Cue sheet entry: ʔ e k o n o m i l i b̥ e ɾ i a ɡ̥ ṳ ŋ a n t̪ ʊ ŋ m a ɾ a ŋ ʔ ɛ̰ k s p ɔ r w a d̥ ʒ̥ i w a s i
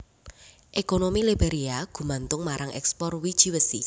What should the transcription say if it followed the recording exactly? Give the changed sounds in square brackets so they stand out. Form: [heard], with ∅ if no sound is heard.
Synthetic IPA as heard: ʔ e k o n o m i l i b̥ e ɾ i a ɡ̥ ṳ [m] a n t̪ ʊ ŋ m a ɾ a ŋ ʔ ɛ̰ k s p ɔ r w [i] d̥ ʒ̥ i w [ə] s i